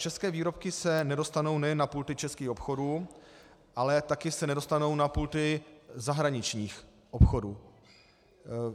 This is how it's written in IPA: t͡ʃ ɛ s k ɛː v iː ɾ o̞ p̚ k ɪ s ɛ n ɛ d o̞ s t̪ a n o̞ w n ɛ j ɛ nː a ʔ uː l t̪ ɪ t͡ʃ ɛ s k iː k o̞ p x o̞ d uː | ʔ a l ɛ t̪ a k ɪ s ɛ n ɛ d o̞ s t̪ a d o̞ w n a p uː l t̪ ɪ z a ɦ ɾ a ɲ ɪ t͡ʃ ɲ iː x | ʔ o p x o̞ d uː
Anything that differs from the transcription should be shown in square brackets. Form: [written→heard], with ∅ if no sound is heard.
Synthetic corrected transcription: t͡ʃ ɛ s k ɛː v iː ɾ o̞ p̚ k ɪ s ɛ n ɛ d o̞ s t̪ a n o̞ w n ɛ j ɛ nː a [ʔ→p] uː l t̪ ɪ t͡ʃ ɛ s k iː [k→x] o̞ p x o̞ d uː | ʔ a l ɛ t̪ a k ɪ s ɛ n ɛ d o̞ s t̪ a [d→n] o̞ w n a p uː l t̪ ɪ z a ɦ ɾ a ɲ ɪ t͡ʃ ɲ iː x | ʔ o p x o̞ d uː